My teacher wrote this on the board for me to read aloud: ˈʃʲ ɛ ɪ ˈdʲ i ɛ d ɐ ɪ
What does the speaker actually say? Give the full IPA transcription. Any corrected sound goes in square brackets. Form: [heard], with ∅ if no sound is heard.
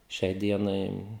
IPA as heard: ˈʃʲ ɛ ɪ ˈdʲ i ɛ [n] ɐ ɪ